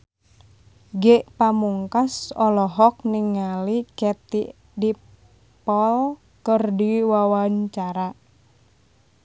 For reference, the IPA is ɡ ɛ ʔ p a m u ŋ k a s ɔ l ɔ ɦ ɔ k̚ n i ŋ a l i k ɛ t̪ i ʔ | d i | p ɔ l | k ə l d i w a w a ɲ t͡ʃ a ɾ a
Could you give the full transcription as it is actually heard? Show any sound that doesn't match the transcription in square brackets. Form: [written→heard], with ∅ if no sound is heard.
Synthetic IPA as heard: ɡ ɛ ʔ p a m u ŋ k a s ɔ l ɔ ɦ ɔ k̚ n i ŋ a l i k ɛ t̪ i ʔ | d i | p ɔ l | k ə [l→r] d i w a w a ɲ t͡ʃ a ɾ a

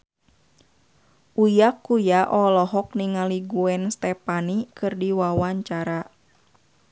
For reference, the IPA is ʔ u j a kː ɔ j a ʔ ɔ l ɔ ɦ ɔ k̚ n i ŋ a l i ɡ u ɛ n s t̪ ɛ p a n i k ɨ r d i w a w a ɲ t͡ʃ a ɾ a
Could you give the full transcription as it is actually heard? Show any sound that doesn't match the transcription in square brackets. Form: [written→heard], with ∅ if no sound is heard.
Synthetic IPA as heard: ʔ u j a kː [ɔ→u] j a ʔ ɔ l ɔ ɦ ɔ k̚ n i ŋ a l i ɡ u ɛ n s t̪ ɛ p a n i k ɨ r d i w a w a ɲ t͡ʃ a ɾ a

